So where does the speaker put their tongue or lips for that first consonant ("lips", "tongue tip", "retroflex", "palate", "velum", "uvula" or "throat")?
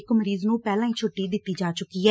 velum